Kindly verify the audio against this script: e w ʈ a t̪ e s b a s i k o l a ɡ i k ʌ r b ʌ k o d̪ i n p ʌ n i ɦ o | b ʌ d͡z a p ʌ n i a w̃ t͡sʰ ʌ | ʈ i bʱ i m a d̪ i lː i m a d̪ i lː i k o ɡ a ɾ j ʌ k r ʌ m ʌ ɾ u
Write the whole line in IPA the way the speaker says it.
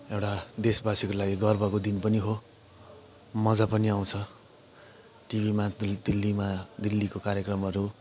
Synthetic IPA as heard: e w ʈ a d̪ e s b a s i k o l a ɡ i ɡ ʌ r b ʌ k o d̪ i n p ʌ n i ɦ o | m ʌ d͡z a p ʌ n i a w̃ t͡sʰ ʌ | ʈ i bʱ i m a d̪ i lː i m a d̪ i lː i k o k a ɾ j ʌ k r ʌ m ʌ ɾ u